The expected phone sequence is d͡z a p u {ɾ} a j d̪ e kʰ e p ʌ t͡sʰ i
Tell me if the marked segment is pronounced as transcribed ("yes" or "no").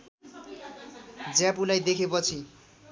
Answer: no